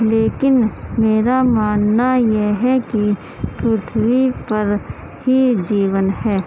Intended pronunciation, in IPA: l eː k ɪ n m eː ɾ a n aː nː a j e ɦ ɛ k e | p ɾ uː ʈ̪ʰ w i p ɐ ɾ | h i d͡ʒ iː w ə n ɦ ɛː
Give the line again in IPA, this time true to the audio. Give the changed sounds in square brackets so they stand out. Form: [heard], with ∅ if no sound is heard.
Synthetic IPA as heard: l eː k ɪ n m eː ɾ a [m] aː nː a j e ɦ ɛ k [i] | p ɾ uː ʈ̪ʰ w i p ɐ ɾ | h i d͡ʒ iː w ə n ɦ ɛː